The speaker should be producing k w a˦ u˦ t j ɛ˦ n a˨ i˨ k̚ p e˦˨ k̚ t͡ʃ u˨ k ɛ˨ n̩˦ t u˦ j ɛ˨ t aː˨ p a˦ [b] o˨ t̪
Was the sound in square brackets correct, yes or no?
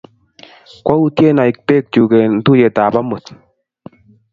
no